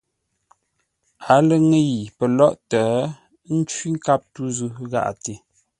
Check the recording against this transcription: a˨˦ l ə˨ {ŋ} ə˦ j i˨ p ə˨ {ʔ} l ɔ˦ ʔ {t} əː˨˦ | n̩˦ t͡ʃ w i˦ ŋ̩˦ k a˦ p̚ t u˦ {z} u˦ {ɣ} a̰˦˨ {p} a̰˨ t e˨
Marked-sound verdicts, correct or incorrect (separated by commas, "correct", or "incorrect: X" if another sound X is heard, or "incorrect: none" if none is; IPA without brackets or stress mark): correct, incorrect: none, correct, correct, correct, incorrect: ʔ